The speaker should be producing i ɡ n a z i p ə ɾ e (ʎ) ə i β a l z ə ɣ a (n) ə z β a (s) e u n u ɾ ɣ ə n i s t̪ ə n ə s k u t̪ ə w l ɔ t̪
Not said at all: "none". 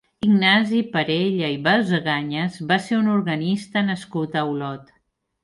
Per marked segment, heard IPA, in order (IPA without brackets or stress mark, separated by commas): ʎ, ɲ, s